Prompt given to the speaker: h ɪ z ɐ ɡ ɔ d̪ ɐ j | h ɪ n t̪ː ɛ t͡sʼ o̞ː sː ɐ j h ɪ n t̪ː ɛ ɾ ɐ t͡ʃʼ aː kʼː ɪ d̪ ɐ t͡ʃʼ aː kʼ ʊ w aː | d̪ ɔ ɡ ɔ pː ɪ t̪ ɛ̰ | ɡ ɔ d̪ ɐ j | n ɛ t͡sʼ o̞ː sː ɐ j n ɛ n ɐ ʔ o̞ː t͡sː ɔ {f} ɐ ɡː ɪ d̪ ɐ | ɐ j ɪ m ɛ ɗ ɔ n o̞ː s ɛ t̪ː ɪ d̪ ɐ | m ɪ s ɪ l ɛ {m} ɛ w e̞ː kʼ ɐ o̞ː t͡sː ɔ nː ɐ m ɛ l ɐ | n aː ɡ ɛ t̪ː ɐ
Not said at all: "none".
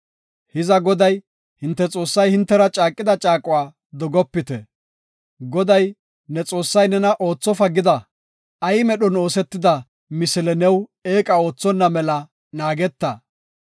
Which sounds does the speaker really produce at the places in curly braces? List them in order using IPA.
f, n

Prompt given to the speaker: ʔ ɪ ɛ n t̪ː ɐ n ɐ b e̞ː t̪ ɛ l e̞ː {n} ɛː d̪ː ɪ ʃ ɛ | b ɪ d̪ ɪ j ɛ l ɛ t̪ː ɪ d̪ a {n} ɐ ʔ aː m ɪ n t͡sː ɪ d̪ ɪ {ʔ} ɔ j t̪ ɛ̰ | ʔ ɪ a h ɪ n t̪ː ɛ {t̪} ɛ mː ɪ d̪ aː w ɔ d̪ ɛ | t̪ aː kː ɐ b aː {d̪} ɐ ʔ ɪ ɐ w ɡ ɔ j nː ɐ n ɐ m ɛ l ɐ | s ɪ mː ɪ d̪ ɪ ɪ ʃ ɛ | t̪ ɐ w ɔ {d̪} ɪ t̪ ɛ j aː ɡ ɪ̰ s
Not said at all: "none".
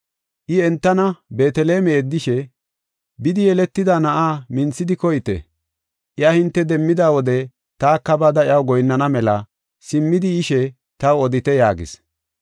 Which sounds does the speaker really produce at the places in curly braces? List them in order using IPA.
m, n, k, d̪, d̪, d̪

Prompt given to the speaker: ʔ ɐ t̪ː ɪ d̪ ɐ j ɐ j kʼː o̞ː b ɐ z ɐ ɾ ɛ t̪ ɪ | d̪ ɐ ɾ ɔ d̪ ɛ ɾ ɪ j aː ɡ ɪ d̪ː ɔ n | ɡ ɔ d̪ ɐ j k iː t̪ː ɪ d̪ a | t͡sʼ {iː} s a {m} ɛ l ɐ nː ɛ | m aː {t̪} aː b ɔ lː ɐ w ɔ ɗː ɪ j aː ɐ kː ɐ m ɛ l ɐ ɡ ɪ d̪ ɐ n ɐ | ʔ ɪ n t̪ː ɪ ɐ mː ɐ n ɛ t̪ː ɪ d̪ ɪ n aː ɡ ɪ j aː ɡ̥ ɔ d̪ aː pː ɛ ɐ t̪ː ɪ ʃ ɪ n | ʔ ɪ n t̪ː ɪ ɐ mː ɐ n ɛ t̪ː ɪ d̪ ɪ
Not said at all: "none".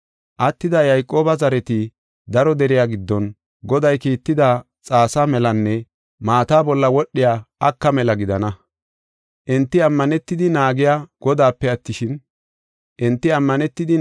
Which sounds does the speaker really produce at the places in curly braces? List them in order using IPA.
aː, m, t̪

